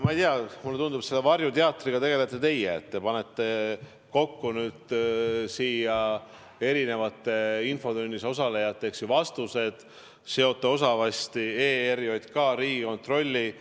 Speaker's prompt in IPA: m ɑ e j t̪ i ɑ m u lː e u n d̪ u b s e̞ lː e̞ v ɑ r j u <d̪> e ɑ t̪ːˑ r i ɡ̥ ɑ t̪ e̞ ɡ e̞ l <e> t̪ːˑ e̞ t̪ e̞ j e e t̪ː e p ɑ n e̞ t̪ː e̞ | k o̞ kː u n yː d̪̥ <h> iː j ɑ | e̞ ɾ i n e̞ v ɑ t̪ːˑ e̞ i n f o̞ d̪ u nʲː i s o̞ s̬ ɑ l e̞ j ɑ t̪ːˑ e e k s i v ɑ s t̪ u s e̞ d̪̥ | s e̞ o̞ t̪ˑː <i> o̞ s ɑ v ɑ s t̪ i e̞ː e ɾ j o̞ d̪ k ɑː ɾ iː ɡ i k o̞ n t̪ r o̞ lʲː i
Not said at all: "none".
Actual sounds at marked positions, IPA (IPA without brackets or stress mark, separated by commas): t̪, e, s, e